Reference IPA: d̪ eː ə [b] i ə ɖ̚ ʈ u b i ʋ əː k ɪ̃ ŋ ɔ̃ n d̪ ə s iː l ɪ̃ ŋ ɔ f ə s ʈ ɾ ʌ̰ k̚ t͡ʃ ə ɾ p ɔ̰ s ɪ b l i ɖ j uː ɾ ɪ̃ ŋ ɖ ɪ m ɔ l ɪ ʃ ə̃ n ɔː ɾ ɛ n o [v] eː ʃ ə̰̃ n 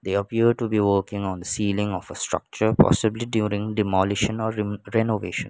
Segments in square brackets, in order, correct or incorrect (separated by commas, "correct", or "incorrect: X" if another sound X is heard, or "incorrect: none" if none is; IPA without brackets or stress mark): incorrect: p, incorrect: ʋ